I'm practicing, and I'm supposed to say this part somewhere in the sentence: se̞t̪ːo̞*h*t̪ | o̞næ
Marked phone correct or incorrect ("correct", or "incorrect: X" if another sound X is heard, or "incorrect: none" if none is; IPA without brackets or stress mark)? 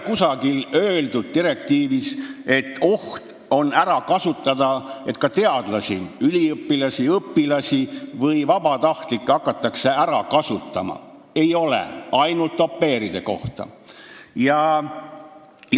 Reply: correct